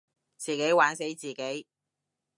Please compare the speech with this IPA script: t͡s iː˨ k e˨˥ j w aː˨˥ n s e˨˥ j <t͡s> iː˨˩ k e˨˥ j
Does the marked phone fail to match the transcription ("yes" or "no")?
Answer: no